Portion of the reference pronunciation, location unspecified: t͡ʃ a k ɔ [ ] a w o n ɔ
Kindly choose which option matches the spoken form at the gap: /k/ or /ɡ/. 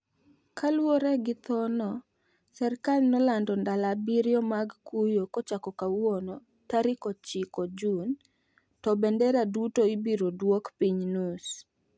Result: k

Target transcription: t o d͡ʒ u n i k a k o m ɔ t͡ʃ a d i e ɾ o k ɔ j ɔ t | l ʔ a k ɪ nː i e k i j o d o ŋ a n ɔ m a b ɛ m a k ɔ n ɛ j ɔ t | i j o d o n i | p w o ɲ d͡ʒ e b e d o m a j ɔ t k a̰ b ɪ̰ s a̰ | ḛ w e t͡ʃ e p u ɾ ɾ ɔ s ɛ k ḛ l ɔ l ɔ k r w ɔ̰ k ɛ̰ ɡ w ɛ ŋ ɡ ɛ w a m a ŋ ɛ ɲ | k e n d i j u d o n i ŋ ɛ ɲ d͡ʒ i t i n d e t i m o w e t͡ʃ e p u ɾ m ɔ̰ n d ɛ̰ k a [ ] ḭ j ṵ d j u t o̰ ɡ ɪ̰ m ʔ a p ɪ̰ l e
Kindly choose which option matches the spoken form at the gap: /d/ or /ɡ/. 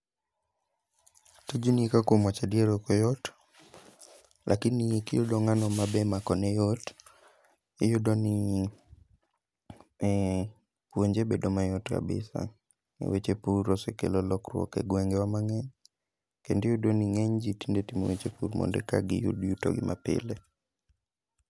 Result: ɡ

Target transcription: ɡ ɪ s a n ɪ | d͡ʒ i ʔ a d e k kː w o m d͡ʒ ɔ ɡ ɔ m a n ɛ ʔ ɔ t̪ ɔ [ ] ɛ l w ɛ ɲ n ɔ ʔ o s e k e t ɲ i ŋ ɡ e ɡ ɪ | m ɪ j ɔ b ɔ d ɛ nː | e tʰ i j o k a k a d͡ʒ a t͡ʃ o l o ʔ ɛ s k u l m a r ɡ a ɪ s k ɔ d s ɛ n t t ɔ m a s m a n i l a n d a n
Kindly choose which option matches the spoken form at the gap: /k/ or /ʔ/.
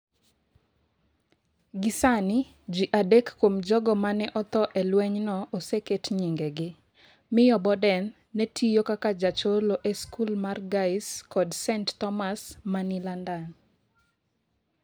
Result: ʔ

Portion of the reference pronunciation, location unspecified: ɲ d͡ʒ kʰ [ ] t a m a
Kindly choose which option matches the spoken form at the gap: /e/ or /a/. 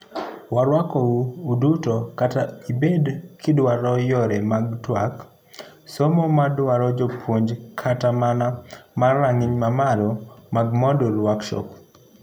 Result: a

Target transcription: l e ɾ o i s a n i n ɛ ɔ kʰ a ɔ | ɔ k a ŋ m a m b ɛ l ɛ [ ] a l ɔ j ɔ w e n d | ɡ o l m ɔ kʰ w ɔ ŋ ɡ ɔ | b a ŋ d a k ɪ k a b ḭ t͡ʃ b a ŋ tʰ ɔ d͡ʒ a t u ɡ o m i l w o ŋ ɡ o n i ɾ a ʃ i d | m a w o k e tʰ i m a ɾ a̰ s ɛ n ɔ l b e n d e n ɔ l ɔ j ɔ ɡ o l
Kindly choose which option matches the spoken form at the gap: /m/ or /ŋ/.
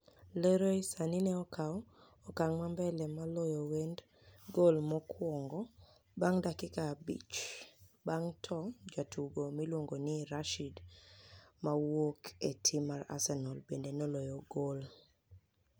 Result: m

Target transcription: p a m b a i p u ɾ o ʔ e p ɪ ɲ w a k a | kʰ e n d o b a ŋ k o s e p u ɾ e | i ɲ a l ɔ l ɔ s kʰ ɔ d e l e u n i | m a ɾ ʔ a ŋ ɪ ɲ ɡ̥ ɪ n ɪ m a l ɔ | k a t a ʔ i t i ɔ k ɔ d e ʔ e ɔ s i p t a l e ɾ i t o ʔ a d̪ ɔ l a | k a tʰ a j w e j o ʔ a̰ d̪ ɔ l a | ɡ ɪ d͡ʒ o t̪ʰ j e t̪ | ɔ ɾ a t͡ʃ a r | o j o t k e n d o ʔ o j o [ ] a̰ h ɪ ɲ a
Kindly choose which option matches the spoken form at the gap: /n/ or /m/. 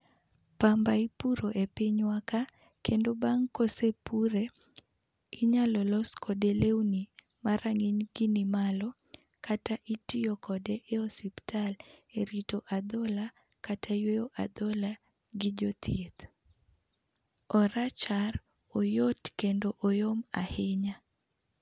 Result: m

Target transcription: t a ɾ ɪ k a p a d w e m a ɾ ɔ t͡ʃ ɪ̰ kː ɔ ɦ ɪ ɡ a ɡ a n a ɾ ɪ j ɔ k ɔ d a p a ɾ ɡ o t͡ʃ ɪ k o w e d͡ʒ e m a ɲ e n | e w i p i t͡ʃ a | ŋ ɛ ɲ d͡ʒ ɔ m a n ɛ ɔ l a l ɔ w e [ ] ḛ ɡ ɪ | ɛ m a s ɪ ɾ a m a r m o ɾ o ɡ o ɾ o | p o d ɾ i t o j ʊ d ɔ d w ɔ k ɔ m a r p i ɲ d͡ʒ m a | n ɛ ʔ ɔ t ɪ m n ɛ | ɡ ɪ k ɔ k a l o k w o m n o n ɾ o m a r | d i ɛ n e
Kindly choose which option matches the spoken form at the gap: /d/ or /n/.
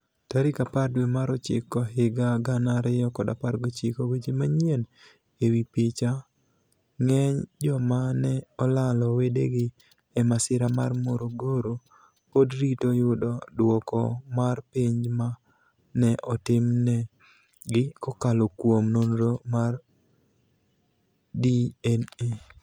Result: d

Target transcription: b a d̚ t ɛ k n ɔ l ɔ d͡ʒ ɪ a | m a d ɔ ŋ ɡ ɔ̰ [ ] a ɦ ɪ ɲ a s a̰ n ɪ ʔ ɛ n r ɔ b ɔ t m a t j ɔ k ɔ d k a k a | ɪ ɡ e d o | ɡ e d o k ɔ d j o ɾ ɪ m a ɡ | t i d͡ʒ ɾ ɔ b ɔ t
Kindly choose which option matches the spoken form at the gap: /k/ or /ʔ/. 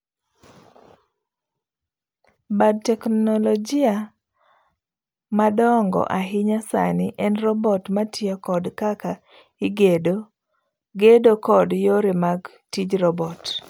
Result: ʔ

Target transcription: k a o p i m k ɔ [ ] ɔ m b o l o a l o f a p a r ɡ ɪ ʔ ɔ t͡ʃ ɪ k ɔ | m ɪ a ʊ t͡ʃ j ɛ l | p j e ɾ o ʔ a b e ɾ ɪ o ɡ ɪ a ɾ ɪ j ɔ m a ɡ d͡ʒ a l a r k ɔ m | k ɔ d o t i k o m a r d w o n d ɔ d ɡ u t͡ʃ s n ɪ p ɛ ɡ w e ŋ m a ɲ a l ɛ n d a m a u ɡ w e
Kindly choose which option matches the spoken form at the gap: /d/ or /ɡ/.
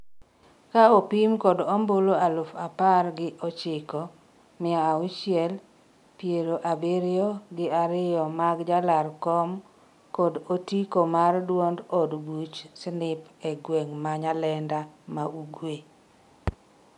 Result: d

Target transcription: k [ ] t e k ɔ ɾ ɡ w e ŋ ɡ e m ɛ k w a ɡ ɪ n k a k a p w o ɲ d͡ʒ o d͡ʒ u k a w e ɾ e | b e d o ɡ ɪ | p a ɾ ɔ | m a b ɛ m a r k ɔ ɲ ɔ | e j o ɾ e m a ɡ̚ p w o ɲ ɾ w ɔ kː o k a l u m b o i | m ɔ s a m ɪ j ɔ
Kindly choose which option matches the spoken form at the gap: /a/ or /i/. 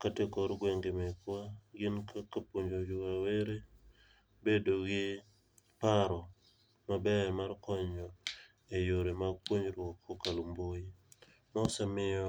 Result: a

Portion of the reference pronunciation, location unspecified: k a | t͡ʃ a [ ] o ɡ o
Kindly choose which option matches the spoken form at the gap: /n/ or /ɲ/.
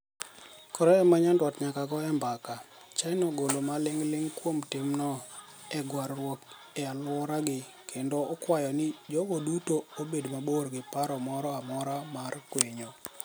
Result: n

